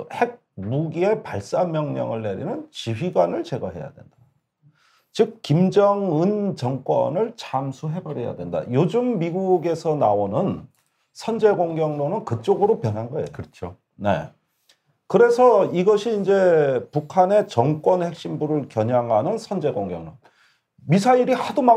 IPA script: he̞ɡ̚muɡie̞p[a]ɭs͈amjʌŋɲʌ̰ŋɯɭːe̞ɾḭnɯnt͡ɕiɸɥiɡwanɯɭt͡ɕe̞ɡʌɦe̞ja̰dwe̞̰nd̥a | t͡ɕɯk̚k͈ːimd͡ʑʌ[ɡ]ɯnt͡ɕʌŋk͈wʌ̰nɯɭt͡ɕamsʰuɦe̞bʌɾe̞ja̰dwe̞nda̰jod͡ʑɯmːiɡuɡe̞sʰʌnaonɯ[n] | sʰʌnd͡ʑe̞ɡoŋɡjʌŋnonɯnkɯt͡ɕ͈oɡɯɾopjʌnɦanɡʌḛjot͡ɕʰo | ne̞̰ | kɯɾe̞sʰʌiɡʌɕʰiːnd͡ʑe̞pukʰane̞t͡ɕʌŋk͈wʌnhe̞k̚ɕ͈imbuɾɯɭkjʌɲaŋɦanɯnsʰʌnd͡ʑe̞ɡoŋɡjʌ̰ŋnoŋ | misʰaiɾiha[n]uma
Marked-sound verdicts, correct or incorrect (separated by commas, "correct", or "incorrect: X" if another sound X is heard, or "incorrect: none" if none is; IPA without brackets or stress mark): correct, incorrect: ŋ, correct, incorrect: d